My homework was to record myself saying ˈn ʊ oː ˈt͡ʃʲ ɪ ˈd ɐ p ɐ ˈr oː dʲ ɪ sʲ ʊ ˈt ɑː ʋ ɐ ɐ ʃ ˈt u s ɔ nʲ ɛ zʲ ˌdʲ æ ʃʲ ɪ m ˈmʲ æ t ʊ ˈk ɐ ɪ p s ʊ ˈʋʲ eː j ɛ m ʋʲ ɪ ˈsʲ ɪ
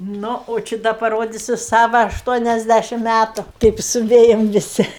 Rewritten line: ˈn ʊ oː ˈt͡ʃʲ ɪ ˈd ɐ p ɐ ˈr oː dʲ ɪ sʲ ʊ ˈs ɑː ʋ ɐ ɐ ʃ ˈt u ɔ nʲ ɛ zʲ ˌdʲ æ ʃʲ ɪ m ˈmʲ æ t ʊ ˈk ɐ ɪ p s ʊ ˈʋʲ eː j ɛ m ʋʲ ɪ ˈsʲ ɪ